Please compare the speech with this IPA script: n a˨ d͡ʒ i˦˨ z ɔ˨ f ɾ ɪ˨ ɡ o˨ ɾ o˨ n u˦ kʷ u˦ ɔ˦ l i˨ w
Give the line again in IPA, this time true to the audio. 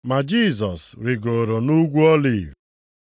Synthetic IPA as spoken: m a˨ d͡ʒ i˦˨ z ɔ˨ s ɾ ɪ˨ ɡ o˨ ɾ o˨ n u˦ ɡʷ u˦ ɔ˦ l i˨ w